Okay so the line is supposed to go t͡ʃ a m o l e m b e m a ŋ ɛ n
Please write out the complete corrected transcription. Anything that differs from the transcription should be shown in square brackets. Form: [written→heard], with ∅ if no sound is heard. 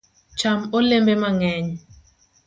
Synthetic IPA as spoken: t͡ʃ a m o l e m b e m a ŋ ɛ [n→ɲ]